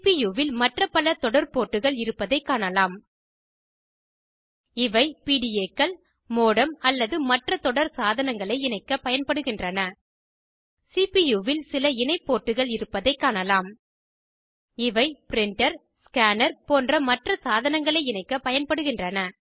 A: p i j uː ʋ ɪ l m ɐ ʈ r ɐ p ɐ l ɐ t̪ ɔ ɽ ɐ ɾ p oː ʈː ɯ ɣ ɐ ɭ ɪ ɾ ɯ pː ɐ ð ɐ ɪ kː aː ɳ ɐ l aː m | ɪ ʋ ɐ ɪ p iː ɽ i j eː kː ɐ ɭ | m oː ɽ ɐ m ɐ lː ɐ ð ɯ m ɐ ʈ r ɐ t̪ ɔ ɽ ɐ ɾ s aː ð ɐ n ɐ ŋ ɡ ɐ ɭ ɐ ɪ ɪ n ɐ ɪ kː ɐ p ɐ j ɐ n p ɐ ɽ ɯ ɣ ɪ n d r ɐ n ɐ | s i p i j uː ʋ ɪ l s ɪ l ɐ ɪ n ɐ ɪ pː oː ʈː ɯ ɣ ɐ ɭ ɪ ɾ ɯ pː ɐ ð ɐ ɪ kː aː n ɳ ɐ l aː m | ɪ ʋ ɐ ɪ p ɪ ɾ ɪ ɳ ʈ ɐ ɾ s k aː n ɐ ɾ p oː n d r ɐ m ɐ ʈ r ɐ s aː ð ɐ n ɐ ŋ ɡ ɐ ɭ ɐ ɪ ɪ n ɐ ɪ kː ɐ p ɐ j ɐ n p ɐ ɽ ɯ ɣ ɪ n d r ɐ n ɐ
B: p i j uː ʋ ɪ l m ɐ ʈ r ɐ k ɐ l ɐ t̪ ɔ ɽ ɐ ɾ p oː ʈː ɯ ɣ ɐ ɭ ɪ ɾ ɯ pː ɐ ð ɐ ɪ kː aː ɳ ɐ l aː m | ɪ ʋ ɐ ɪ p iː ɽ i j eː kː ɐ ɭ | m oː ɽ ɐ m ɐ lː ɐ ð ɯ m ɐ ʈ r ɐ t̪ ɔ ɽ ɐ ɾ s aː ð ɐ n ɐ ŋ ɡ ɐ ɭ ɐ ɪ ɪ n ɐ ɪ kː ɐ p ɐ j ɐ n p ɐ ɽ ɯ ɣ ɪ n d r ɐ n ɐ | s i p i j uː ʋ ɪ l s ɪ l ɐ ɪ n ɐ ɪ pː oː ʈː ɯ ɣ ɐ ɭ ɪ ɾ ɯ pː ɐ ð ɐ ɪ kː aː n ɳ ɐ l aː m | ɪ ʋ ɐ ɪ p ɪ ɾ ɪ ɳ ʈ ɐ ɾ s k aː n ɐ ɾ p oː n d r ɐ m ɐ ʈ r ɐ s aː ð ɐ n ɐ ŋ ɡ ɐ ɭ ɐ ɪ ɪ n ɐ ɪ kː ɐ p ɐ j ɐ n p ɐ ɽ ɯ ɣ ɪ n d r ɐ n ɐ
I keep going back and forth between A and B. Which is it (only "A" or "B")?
A